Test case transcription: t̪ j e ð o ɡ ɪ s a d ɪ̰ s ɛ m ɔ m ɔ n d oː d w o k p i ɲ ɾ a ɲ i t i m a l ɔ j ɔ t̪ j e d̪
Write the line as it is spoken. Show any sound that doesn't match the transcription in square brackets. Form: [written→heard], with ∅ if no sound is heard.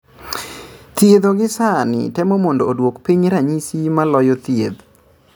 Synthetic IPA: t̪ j e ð o ɡ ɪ s a [d→n] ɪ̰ [s→t] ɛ m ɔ m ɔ n d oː d w o k p i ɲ ɾ a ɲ i [t→s] i m a l ɔ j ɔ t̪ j e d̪